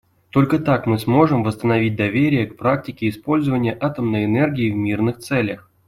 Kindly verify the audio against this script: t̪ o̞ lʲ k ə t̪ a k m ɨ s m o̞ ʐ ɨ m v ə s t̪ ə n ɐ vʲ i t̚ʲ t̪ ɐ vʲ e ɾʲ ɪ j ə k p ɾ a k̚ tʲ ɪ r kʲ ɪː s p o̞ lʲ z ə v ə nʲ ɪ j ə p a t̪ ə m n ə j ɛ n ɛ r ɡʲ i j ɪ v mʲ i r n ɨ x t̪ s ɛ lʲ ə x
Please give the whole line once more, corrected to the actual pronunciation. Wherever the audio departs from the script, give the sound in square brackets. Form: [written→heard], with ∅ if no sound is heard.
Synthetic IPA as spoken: t̪ o̞ lʲ k ə t̪ a k m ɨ s m o̞ ʐ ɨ m v ə s t̪ ə n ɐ vʲ i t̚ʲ [t̪→d̪] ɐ vʲ e ɾʲ ɪ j ə k p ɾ a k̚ tʲ ɪ [r→∅] kʲ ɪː s p o̞ lʲ z ə v ə nʲ ɪ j ə [p→ʔ] a t̪ ə m n ə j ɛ n ɛ r ɡʲ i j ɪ v mʲ i r n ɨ x t̪ s ɛ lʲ ə x